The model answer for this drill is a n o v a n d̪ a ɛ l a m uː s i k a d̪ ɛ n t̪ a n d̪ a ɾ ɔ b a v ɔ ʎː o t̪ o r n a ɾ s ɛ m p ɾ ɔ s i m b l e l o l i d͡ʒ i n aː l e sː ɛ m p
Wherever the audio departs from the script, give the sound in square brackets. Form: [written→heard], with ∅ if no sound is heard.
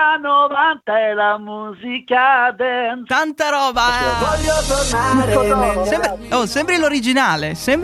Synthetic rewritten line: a n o v a n [d̪→t̪] a ɛ l a m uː [s→z] i k a d̪ ɛ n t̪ a n [d̪→t̪] a ɾ [ɔ→ɔː] b a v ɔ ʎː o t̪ o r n a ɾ s ɛ m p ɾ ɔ s [i→ɛ] m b [l→ɾ] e l o [l→ɾ] i d͡ʒ i n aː l e [sː→s] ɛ m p